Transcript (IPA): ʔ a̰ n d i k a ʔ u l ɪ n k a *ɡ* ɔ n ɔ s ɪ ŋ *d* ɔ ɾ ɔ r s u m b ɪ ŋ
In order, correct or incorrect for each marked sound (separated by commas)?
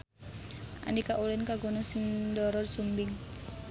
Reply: correct, correct